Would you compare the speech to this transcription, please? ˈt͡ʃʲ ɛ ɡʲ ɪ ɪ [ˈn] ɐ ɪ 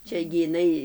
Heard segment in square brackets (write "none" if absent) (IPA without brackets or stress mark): n